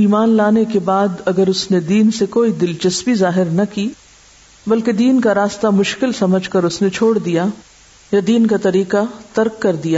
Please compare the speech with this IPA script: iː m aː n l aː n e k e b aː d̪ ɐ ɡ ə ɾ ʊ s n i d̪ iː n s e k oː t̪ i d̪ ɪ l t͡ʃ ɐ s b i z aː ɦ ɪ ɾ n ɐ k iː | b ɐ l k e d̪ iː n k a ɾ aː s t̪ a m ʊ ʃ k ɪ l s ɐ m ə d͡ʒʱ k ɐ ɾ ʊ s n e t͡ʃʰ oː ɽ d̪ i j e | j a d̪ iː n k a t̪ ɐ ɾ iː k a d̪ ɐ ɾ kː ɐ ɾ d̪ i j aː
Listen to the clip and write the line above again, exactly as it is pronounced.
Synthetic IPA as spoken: iː m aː n l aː n e k e b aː d̪ ɐ ɡ ə ɾ ʊ s n e d̪ iː n s e k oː i d̪ ɪ l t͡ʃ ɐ s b i z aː ɦ ɪ ɾ n ɐ k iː | b ɐ l k e d̪ iː n k a ɾ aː s t̪ a m ʊ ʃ k ɪ l s ɐ m ə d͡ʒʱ k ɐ ɾ ʊ s n e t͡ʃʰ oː ɽ d̪ i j a | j a d̪ iː n k a t̪ ɐ ɾ iː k a t̪ ɐ ɾ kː ɐ ɾ d̪ i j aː